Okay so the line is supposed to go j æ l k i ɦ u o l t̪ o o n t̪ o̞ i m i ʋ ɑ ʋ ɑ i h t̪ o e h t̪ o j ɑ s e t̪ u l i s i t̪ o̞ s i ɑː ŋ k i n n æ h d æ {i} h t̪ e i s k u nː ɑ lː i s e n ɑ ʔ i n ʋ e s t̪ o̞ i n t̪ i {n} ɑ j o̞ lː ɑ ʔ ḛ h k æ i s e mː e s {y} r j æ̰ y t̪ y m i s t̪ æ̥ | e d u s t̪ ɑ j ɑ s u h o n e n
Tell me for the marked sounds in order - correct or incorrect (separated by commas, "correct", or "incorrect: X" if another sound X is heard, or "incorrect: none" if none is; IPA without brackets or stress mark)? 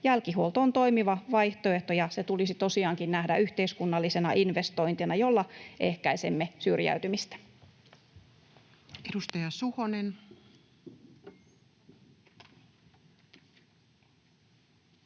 incorrect: y, correct, correct